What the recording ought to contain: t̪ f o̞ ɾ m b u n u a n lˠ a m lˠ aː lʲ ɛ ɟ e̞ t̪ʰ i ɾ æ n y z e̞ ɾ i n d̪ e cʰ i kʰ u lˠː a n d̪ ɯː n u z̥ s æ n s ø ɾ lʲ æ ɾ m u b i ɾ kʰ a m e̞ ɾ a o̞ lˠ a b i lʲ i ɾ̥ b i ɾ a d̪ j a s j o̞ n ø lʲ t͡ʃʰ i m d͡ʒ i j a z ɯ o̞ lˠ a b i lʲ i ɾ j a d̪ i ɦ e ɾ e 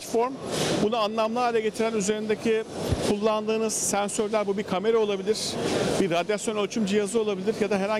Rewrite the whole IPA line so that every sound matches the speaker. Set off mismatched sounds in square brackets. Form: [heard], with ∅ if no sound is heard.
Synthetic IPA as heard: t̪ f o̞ ɾ m b u n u a n lˠ a m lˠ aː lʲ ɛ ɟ e̞ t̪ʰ i ɾ æ n y z e̞ ɾ i n d̪ e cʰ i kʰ u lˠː a n d̪ ɯː n [ɯ] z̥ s æ n s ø ɾ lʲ æ ɾ [b] u b i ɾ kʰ a m e̞ ɾ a o̞ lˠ a b i lʲ i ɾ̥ b i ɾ a d̪ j a s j o̞ n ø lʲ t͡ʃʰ [y] m d͡ʒ i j a z ɯ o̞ lˠ a b i lʲ i ɾ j a d̪ [a] ɦ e ɾ [a]